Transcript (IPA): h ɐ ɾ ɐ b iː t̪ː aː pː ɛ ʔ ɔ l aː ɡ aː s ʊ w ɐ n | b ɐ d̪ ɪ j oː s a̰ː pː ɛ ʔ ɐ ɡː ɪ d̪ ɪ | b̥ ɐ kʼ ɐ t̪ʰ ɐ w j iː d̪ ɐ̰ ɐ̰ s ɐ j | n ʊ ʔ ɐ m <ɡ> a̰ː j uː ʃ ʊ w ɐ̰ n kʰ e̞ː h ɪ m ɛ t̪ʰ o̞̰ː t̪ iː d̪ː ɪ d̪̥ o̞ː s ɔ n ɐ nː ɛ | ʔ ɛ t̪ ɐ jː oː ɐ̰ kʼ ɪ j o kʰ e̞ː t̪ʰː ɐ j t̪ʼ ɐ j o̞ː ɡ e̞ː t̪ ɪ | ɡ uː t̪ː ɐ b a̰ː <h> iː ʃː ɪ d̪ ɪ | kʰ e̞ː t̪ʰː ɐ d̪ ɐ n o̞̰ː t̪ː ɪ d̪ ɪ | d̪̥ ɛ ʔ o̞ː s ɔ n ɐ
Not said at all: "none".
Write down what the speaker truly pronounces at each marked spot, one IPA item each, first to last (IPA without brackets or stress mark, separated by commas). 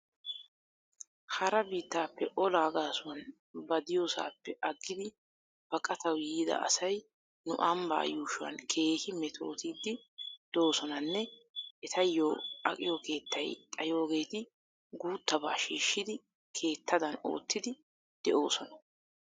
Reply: b, ʃ